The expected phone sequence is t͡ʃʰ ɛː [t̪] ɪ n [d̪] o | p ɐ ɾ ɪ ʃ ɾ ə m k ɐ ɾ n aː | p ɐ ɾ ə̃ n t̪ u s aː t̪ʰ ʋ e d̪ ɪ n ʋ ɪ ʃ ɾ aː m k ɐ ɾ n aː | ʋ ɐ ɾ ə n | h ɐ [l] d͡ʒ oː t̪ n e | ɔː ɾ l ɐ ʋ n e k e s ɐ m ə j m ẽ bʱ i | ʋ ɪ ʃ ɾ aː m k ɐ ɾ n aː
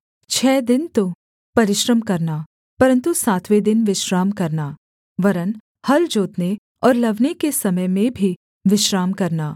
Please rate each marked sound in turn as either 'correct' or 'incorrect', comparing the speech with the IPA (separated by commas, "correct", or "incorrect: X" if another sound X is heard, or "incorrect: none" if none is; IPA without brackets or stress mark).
incorrect: d̪, incorrect: t̪, correct